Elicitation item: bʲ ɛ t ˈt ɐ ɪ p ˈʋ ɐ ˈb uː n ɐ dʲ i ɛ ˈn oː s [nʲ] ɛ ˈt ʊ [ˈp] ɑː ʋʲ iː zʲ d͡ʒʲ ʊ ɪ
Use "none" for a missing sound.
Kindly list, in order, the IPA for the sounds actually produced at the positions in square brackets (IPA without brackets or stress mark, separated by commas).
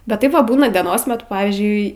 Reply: mʲ, p